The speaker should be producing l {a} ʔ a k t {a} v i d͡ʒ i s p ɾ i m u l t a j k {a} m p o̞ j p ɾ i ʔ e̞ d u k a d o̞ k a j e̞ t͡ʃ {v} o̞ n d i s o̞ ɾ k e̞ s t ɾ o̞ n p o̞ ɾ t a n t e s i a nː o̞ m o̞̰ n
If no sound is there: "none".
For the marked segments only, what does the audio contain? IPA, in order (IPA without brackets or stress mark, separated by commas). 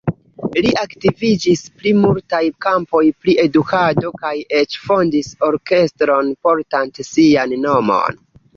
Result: i, i, a, f